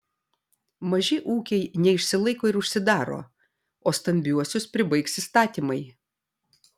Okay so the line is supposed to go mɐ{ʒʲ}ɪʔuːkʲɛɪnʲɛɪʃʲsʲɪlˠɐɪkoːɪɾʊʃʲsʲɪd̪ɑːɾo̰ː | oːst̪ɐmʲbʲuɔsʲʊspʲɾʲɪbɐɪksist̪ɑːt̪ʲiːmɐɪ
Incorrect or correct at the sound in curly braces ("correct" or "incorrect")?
correct